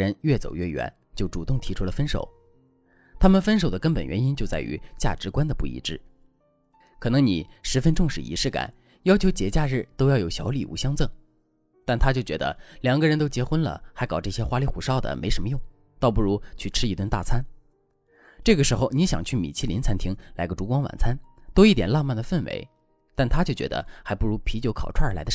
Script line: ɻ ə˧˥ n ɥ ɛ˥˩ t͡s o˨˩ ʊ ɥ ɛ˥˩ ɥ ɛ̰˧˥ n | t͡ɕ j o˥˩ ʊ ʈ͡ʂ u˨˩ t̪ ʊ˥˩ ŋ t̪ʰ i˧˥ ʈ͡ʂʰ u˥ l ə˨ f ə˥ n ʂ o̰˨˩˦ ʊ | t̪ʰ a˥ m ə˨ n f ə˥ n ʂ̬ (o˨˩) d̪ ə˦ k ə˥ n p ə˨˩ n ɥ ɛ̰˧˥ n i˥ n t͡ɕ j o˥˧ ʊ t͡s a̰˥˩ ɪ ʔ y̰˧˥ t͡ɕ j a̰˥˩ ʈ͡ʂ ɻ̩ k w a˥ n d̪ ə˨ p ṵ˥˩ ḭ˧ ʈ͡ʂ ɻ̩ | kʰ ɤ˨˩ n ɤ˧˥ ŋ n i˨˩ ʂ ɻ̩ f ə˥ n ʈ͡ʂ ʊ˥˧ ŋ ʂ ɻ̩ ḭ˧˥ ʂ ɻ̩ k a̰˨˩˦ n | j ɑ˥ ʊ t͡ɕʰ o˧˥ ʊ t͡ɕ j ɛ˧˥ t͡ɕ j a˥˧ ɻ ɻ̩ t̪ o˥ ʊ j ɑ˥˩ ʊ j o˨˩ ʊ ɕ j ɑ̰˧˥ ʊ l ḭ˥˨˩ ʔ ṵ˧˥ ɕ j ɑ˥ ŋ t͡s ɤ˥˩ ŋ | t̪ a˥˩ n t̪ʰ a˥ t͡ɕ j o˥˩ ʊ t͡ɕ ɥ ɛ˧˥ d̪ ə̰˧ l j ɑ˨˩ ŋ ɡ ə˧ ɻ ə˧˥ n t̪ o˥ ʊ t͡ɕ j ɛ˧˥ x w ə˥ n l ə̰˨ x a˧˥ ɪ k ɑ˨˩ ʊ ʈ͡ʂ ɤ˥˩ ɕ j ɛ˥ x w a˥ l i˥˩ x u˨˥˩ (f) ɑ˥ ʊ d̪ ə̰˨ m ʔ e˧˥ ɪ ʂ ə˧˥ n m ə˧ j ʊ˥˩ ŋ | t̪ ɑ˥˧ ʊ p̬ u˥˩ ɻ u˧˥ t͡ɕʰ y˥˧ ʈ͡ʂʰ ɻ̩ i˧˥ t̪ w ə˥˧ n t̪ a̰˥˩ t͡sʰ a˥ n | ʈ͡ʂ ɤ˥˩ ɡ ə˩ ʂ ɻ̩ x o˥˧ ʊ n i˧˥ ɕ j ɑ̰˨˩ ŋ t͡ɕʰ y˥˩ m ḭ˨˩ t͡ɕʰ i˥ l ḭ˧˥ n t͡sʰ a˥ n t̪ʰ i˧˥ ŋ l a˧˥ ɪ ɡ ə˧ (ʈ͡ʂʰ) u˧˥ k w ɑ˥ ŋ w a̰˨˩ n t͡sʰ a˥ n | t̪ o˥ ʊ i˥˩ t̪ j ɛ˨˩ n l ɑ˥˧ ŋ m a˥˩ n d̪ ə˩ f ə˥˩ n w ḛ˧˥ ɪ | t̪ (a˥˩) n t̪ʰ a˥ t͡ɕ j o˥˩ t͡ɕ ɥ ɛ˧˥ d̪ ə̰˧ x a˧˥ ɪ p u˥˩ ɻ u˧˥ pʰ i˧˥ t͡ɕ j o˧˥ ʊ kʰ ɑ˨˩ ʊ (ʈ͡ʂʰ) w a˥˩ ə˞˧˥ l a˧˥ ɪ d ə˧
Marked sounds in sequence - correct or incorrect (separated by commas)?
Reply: correct, incorrect, incorrect, correct, correct